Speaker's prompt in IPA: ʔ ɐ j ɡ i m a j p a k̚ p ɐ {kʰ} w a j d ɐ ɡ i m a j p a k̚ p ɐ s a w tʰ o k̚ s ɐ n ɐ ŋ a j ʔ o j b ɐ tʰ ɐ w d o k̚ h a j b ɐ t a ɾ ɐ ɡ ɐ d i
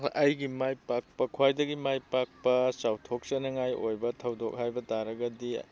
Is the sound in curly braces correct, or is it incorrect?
correct